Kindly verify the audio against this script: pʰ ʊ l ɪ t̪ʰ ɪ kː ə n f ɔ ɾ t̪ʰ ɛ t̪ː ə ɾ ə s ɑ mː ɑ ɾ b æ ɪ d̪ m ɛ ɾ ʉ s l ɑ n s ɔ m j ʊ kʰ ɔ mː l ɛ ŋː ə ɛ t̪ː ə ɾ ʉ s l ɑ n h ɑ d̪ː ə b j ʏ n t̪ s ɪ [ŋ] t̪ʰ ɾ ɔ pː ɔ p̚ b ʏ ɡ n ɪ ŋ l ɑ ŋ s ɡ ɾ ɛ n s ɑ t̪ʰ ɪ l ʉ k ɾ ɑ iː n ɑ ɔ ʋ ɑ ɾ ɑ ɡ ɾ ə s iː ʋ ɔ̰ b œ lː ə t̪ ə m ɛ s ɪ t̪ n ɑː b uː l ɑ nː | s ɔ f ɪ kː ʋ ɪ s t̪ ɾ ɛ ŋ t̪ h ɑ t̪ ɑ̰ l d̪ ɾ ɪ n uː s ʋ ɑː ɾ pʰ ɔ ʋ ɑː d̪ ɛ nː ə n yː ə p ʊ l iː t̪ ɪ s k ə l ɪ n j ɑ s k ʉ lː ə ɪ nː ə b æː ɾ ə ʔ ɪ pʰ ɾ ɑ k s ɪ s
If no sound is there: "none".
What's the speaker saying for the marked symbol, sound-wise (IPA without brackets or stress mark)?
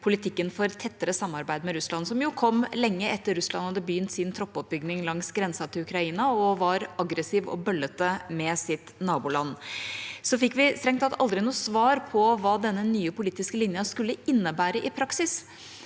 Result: n